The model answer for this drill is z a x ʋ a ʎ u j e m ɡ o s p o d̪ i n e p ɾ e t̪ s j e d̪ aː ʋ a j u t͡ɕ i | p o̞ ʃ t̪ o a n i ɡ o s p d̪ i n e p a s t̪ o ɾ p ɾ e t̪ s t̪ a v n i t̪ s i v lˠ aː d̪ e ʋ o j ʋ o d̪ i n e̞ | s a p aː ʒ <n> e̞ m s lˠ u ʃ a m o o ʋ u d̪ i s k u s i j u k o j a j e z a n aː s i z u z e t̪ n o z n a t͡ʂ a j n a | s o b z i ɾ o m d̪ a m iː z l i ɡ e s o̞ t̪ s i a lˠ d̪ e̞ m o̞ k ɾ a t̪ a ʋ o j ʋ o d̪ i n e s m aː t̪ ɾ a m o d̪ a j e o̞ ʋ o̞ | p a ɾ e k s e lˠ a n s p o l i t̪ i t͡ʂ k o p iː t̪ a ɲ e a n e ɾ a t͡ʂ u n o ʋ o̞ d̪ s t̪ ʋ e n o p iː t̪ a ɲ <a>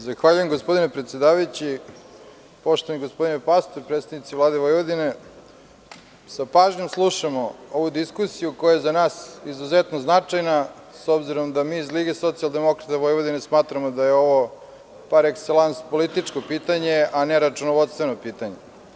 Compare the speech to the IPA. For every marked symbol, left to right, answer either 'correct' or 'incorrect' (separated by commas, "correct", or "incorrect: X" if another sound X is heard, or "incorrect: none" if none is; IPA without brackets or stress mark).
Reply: incorrect: ɲ, incorrect: e